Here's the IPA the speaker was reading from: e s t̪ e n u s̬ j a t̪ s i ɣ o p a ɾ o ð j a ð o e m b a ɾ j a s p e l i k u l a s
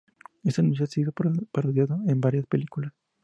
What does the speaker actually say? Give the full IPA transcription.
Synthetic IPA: e s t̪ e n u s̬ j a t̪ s i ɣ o p a ɾ o ð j a ð o e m b a ɾ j a s p e l i k u l a s